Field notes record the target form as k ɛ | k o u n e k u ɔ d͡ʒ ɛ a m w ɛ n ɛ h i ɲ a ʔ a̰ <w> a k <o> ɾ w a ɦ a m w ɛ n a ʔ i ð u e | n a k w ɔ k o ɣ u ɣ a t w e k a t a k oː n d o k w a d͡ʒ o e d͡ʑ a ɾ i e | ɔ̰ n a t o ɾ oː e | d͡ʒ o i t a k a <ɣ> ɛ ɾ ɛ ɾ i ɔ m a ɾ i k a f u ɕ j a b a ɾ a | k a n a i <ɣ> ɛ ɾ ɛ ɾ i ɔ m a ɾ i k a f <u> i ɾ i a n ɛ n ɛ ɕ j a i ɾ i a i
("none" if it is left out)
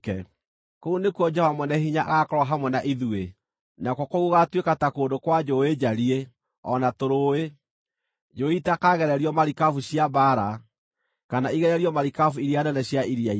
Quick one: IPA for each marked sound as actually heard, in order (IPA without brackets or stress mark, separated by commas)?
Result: ɣ, ɔ, ɣ, ɣ, u